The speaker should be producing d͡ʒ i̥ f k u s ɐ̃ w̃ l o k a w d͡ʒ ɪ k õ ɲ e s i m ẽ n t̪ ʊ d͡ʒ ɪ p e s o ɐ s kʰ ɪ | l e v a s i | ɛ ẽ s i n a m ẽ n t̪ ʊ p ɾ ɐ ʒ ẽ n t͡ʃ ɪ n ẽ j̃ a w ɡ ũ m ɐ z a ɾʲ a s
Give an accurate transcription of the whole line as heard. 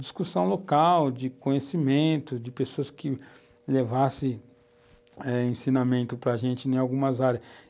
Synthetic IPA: d͡ʒ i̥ s k u s ɐ̃ w̃ l o k a w d͡ʒ ɪ k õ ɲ e s i m ẽ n t̪ ʊ d͡ʒ ɪ p e s o ɐ s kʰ ɪ | l e v a s ɪ | ɛ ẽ s i n a m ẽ n t̪ ʊ p ɾ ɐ ʒ ẽ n t͡ʃ ɪ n ẽ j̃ a w ɡ ũ m ɐ z a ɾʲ ɐ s